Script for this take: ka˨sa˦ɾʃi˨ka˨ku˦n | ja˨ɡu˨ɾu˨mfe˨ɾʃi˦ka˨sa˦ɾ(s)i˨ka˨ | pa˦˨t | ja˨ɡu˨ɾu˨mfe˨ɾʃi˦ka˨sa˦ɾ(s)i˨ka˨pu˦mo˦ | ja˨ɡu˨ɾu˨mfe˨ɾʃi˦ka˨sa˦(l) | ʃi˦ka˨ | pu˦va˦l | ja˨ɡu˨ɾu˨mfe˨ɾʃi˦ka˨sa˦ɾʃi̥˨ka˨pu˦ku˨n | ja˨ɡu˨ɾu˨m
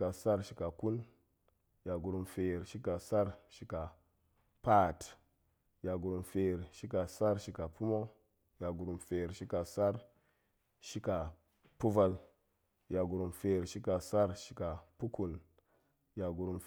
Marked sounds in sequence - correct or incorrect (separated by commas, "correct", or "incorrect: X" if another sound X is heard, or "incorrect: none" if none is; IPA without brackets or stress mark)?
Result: incorrect: ʃ, incorrect: ʃ, incorrect: ɾ